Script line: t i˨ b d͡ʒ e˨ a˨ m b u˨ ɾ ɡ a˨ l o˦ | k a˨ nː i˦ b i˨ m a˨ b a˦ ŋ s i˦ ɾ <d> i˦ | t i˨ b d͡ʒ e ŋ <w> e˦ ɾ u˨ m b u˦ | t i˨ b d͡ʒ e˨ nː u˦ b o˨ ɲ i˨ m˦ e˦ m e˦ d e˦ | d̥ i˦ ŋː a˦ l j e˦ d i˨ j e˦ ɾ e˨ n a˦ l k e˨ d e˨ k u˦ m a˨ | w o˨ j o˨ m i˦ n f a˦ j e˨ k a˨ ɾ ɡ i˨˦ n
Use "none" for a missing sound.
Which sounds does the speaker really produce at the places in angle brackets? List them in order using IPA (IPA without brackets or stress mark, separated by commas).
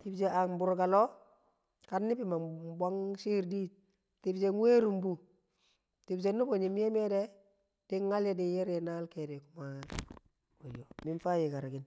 d, w